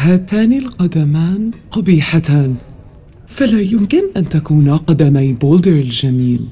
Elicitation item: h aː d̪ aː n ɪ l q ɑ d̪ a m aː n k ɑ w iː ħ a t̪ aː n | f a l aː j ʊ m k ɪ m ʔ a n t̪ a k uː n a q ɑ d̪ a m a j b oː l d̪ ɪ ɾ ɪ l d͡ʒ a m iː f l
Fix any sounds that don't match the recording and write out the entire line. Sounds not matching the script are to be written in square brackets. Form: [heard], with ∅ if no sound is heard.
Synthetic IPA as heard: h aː [t̪] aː n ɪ l q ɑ d̪ a m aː n [q] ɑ [b] iː ħ a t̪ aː n | f a l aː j ʊ m k ɪ [n] ʔ a n t̪ a k uː n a q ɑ d̪ a m a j b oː l d̪ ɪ ɾ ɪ l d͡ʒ a m iː [∅] l